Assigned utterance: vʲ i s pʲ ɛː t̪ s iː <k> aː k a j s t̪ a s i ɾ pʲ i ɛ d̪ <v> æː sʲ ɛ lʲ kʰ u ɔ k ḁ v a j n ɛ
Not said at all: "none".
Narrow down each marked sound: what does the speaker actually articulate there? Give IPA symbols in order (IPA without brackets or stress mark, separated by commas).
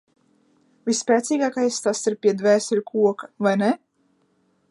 ɡ, v